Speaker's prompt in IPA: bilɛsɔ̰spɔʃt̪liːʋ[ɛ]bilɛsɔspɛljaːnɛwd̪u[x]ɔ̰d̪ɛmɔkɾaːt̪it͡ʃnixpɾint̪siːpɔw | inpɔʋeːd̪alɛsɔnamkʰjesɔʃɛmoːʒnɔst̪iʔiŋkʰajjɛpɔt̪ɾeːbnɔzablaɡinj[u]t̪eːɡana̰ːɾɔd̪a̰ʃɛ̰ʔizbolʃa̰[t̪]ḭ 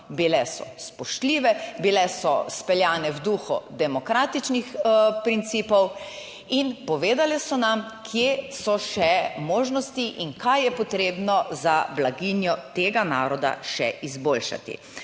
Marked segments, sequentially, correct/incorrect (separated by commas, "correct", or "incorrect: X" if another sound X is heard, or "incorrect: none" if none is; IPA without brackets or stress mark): correct, correct, incorrect: ɔ, correct